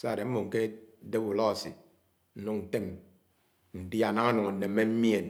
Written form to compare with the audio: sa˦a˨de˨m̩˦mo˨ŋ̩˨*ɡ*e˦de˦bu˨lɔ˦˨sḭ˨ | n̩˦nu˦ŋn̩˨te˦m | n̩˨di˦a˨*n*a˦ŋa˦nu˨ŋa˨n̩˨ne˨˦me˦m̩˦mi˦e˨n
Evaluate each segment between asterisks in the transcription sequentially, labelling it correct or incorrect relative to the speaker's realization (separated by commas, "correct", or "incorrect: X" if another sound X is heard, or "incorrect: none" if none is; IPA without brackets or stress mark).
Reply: incorrect: k, correct